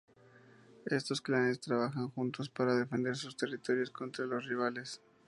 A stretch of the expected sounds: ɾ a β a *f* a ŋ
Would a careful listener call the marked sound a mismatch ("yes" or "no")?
yes